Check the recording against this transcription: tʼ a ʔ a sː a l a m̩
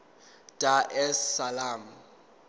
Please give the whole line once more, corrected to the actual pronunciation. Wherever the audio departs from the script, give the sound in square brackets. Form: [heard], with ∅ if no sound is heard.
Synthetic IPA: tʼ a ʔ [ɛ] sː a l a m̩